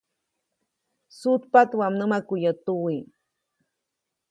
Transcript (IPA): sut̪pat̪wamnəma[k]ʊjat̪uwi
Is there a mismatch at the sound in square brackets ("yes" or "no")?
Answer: no